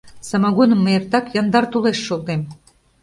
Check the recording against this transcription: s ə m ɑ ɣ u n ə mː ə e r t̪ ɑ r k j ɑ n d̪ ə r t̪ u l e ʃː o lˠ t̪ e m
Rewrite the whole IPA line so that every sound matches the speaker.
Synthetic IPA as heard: s ɑ m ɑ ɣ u n ə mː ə e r t̪ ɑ k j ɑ n d̪ ɑ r t̪ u l e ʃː o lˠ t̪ e m